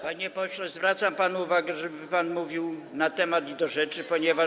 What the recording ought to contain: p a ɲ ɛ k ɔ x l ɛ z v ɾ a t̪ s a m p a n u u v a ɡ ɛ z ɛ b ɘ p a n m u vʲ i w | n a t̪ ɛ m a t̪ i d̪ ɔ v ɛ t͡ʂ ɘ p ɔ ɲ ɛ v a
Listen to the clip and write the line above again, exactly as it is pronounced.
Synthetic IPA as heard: p a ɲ ɛ p ɔ ɕ l ɛ z v ɾ a t̪ s a m p a n u u v a ɡ ɛ ʐ ɛ b ɘ p a n m u vʲ i w | n a t̪ ɛ m a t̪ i d̪ ɔ ʐ ɛ t͡ʂ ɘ p ɔ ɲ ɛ v a